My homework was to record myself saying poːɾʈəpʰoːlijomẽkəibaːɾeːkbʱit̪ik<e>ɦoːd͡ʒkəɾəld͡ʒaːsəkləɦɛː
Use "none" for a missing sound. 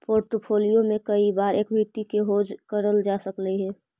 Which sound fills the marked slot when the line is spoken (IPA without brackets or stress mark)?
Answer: e